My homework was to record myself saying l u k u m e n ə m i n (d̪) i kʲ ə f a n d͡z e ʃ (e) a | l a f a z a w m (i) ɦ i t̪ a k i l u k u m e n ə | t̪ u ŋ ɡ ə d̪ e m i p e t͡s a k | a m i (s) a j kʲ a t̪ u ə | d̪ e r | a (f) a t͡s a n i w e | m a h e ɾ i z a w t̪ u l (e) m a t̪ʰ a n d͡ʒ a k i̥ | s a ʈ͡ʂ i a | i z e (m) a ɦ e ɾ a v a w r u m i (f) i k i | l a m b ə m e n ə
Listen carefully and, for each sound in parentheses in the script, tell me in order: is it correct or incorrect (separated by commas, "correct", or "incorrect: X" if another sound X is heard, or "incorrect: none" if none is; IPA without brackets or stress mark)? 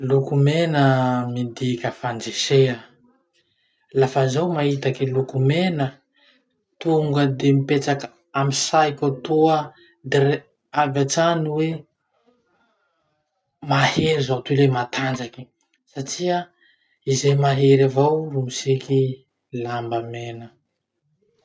correct, correct, incorrect: a, correct, incorrect: v, correct, correct, incorrect: s